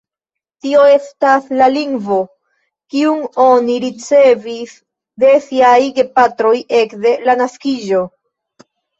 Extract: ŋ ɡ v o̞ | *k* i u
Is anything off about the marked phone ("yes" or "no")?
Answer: no